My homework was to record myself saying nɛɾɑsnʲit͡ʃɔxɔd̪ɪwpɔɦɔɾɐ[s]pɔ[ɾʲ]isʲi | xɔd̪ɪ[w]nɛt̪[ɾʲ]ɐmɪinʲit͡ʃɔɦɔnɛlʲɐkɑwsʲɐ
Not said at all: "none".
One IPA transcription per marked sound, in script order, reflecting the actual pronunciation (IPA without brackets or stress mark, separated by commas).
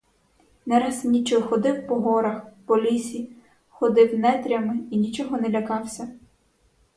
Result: x, lʲ, w, ɾʲ